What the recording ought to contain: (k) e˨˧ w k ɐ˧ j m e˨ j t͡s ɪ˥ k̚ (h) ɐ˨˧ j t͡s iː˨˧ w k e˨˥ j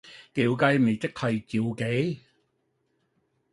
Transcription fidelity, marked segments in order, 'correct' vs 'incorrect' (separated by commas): correct, correct